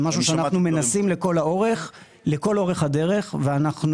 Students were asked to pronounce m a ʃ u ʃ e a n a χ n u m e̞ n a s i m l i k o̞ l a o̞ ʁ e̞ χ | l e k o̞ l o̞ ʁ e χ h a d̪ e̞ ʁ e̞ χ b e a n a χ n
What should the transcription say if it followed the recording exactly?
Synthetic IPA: m a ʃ u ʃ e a n a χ n u m e̞ n a s i m l e k o̞ l a o̞ ʁ e̞ χ | l e k o̞ l o̞ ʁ e χ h a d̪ e̞ ʁ e̞ χ v e a n a χ n